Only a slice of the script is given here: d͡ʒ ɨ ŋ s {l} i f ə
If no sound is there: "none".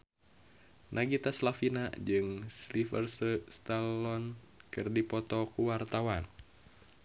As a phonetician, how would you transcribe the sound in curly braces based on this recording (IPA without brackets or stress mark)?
l